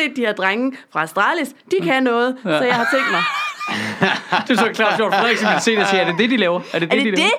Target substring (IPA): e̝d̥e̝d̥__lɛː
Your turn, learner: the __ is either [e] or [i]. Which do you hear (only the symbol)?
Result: i